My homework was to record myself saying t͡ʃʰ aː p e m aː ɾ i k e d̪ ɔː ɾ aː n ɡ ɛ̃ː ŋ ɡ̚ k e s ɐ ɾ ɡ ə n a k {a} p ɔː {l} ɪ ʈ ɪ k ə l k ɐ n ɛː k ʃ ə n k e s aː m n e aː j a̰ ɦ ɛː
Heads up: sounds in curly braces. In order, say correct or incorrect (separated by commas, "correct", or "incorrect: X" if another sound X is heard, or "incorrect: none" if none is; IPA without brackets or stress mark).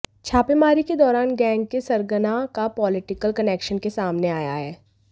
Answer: correct, correct